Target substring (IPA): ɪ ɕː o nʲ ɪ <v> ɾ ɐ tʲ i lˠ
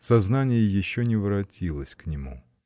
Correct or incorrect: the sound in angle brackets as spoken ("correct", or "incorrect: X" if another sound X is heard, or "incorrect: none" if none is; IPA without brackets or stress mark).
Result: correct